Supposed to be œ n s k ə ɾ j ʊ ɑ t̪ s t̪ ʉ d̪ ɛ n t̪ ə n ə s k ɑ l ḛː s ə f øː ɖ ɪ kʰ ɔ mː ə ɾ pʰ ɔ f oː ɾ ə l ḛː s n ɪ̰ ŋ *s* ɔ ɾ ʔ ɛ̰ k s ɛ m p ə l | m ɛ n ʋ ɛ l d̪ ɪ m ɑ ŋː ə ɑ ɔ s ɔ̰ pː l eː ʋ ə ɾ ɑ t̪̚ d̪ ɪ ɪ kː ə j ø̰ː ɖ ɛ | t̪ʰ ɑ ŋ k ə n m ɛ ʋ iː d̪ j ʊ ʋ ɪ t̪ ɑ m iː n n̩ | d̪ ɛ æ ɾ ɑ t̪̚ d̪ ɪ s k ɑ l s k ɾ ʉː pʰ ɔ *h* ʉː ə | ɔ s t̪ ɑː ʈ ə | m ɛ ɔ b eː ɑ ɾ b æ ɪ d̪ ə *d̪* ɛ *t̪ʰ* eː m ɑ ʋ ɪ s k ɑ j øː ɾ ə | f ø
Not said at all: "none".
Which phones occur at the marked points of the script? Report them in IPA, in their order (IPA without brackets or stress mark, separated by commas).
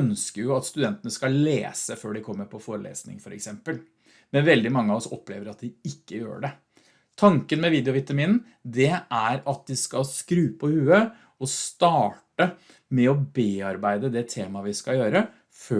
f, h, d̪, t̪ʰ